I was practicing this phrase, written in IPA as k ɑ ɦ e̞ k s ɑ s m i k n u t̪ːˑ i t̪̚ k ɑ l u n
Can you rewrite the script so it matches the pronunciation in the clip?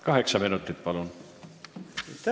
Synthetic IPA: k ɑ ɦ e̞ k s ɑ m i n u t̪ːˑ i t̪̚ p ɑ l u n